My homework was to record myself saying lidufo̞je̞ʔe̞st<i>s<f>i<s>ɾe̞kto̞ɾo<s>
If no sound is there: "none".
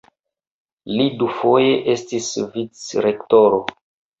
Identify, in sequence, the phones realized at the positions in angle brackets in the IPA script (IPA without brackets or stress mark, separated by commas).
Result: i, v, t͡s, none